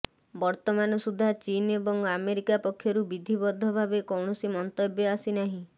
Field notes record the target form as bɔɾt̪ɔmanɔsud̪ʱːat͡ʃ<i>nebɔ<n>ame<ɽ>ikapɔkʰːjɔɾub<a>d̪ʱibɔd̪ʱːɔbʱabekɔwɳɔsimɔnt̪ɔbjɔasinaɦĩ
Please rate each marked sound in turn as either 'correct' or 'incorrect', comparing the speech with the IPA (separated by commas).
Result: correct, incorrect, incorrect, incorrect